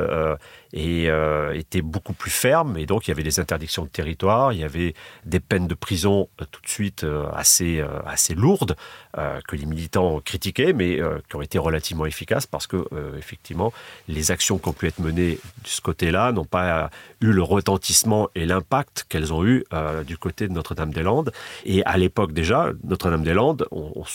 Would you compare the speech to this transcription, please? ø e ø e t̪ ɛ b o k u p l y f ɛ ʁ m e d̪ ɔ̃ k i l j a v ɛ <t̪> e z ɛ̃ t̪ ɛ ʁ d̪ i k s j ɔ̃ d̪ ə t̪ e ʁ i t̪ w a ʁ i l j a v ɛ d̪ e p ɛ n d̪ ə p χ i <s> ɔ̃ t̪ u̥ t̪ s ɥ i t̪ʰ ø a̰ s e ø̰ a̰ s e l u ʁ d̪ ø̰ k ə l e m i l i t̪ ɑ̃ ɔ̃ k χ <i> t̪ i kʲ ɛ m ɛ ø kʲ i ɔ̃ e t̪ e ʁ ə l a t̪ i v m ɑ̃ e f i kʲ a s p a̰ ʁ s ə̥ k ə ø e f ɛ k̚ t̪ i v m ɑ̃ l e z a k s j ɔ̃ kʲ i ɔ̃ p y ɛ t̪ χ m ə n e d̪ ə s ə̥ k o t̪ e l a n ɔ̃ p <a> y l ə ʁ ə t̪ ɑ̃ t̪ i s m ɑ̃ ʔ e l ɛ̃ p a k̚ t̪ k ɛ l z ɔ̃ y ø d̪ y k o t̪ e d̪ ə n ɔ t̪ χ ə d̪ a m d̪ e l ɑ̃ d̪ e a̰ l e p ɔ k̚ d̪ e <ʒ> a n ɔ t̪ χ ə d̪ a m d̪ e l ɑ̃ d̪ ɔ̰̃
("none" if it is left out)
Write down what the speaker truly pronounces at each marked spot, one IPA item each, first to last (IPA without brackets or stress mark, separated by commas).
d̪, z, i, a, ʒ